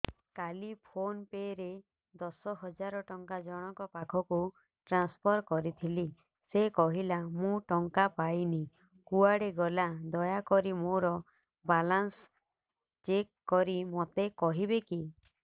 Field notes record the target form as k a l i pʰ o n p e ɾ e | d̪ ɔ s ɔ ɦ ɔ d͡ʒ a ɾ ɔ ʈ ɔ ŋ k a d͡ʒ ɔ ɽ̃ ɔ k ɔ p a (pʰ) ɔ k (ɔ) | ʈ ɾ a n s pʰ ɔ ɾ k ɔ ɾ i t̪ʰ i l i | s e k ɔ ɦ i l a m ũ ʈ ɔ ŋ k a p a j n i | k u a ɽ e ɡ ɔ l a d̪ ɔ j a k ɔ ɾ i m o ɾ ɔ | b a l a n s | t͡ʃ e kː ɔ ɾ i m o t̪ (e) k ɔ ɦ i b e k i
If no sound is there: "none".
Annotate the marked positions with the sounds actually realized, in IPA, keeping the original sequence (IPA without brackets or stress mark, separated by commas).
kʰ, u, e